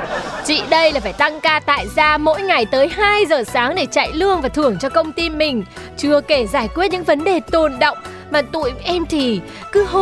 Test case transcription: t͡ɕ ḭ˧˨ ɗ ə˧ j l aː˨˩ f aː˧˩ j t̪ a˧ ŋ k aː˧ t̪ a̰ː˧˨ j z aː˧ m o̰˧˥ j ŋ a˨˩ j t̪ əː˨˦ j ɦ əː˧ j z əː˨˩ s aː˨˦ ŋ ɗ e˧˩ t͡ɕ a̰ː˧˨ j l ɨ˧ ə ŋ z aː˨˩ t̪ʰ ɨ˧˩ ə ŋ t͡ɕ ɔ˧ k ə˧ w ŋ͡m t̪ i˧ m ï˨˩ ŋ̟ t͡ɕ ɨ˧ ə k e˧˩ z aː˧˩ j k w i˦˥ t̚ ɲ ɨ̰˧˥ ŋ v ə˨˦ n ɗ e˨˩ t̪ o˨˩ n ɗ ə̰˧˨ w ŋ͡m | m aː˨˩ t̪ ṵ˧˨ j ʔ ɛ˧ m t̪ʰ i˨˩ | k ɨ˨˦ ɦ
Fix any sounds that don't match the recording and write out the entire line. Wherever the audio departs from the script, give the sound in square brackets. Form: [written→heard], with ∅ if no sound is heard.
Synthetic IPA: t͡ɕ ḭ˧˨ ɗ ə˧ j l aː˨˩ f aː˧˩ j t̪ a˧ ŋ k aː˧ t̪ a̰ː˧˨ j z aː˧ m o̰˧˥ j ŋ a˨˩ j t̪ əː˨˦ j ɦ [əː˧→aː˧] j z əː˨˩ s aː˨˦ ŋ ɗ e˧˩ t͡ɕ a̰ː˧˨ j l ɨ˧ ə ŋ [z→v] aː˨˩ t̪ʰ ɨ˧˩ ə ŋ t͡ɕ ɔ˧ k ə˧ w ŋ͡m t̪ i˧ m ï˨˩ ŋ̟ t͡ɕ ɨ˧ ə k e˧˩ z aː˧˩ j k w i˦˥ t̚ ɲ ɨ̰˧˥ ŋ v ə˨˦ n ɗ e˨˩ t̪ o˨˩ n ɗ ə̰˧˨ w ŋ͡m | m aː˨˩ t̪ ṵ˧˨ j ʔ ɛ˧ m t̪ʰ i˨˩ | k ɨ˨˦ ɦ